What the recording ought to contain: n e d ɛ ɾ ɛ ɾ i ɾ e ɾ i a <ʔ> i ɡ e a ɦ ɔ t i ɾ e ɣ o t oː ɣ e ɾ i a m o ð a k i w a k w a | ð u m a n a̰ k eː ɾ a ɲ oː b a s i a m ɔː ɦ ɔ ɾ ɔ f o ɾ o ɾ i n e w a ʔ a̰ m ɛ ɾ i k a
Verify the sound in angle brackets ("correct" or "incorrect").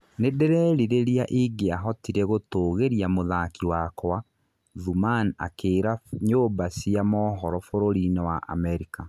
correct